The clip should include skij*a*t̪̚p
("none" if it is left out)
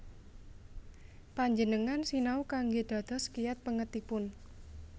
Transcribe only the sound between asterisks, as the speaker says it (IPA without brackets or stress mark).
a